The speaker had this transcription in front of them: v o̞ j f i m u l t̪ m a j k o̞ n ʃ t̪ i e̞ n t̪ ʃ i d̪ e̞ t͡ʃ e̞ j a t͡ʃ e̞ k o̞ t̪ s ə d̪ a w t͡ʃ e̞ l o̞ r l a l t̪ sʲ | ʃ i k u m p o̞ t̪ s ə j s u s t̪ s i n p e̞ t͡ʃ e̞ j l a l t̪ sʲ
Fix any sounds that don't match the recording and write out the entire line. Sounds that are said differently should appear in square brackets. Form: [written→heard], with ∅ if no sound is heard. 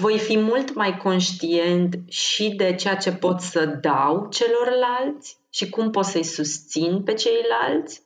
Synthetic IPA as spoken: v o̞ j f i m u l t̪ m a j k o̞ n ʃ t̪ i e̞ n t̪ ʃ i d̪ e̞ t͡ʃ e̞ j a t͡ʃ e̞ [k→p] o̞ t̪ s ə d̪ a w t͡ʃ e̞ l o̞ r l a l t̪ sʲ | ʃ i k u m p o̞ t̪ s ə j s u s t̪ s i n p e̞ t͡ʃ e̞ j l a l t̪ sʲ